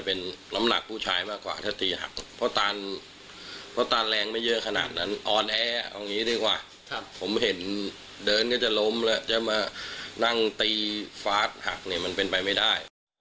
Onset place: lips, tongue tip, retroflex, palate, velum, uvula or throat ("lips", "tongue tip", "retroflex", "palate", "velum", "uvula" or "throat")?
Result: lips